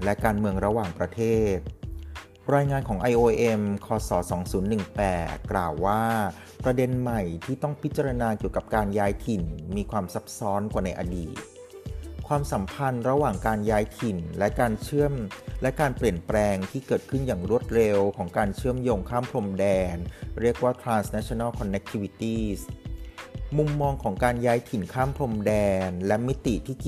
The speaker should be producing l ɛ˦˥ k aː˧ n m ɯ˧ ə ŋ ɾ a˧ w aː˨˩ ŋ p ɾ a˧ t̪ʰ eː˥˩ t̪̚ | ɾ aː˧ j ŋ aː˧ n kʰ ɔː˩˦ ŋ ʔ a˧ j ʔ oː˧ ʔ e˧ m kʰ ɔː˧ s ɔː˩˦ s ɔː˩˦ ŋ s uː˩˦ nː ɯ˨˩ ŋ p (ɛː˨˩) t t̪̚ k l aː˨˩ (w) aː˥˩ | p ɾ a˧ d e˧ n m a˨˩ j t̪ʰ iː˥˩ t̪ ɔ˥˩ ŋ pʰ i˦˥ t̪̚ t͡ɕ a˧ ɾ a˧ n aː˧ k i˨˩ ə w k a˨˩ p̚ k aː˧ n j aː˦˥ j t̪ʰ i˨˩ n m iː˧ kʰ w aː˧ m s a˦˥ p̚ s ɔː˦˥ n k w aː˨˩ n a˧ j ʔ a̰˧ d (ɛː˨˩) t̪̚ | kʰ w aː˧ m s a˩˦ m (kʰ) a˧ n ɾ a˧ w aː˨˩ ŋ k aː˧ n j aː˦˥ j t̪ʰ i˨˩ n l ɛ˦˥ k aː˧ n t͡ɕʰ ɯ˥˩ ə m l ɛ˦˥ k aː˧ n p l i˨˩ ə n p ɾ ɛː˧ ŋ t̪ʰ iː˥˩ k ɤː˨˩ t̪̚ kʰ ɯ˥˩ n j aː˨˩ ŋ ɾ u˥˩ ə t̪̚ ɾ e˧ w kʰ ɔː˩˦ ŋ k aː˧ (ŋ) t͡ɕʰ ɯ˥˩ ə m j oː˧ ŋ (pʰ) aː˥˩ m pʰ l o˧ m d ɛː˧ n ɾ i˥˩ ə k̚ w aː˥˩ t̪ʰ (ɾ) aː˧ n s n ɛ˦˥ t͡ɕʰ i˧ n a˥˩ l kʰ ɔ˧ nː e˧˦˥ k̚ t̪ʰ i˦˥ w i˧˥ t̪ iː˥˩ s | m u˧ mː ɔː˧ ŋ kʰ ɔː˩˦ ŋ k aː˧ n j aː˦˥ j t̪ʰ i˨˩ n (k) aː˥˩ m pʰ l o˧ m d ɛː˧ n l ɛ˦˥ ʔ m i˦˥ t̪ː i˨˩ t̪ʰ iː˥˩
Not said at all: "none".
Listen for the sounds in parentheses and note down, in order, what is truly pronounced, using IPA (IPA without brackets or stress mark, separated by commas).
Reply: ɛː˨˩, wː, iː˨˩, pʰ, n, kʰ, ɾ, kʰ